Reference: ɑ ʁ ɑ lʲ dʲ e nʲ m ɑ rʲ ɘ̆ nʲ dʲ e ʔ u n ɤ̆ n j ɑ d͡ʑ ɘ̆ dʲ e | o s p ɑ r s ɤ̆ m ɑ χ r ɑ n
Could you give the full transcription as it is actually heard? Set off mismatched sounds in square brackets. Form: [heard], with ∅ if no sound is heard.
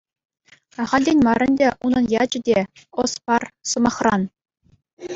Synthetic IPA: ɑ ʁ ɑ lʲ dʲ e nʲ m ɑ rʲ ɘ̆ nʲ dʲ e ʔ u n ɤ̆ n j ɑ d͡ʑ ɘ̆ dʲ e | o s p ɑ r s ɤ̆ m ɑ χ r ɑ n